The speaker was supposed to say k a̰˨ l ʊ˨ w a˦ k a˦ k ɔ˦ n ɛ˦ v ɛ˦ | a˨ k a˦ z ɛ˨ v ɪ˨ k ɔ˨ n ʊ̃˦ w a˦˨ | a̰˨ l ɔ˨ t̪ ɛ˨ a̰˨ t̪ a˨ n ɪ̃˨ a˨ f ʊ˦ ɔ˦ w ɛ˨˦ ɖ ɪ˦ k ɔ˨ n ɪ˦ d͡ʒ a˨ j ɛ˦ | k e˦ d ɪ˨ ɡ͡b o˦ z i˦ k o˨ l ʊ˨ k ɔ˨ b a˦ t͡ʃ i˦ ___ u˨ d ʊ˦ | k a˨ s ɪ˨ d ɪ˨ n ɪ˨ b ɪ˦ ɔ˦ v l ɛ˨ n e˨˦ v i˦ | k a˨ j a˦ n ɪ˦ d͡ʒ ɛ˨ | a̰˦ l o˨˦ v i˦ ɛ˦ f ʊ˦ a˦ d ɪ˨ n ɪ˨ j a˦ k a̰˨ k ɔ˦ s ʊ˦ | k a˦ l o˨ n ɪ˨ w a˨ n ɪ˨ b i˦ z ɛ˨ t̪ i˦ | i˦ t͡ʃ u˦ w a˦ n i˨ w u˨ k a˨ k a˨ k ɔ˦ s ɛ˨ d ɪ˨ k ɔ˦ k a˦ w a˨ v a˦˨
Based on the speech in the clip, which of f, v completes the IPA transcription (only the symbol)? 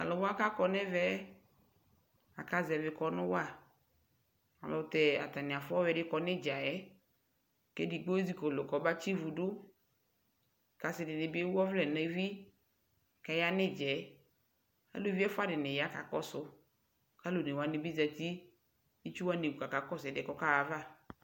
v